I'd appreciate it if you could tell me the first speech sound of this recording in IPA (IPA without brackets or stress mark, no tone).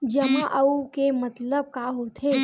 d͡ʒ